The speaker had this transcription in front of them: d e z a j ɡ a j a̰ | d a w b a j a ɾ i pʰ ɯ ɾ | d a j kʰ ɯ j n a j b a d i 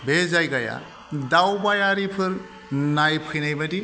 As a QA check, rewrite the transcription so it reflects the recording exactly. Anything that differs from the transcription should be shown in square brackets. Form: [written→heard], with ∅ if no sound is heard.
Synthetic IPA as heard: [d→b] e z a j ɡ a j a̰ | d a w b a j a ɾ i pʰ ɯ ɾ | [d→n] a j [kʰ→pʰ] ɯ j n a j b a d i